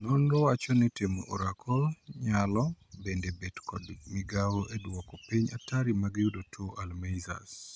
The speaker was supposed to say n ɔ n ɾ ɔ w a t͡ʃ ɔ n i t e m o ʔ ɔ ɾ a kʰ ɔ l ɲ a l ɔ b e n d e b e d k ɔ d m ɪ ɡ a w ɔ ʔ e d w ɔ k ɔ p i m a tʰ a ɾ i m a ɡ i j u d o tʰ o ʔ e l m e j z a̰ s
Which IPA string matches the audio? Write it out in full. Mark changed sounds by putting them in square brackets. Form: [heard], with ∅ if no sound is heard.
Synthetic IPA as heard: n ɔ n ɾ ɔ w a t͡ʃ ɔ n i t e m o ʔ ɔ ɾ a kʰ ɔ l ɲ a l ɔ b e n d e b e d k ɔ d m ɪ ɡ a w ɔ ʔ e d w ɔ k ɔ p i [ɲ] a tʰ a ɾ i m a ɡ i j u d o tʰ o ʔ [a] l m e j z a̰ s